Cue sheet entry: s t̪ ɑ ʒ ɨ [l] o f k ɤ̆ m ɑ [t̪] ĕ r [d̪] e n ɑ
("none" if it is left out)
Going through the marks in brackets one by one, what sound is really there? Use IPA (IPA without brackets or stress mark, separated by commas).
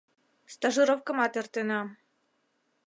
ɾ, t̪, t̪